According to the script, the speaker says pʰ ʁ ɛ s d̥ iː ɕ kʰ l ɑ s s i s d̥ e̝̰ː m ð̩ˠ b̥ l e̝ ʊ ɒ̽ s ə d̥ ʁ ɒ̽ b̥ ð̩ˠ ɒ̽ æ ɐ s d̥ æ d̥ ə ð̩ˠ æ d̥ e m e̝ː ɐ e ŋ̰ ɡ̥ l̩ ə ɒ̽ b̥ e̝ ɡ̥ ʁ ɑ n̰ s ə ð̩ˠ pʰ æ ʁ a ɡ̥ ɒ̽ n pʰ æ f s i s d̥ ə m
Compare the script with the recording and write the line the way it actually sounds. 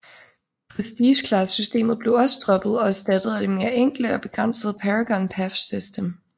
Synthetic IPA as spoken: pʰ ʁ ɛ s d̥ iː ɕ kʰ l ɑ s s y s d̥ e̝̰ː m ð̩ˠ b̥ l e̝ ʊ ɒ̽ s ə d̥ ʁ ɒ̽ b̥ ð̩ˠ ɒ̽ æ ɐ s d̥ æ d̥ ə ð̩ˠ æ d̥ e m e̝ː ɐ e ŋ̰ ɡ̥ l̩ ə ɒ̽ b̥ e̝ ɡ̥ ʁ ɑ n̰ s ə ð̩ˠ pʰ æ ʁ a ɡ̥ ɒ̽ n pʰ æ f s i s d̥ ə m